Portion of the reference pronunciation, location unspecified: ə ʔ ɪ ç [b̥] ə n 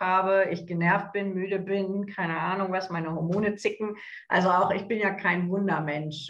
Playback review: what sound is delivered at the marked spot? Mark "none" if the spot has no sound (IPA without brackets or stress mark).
ɡ̥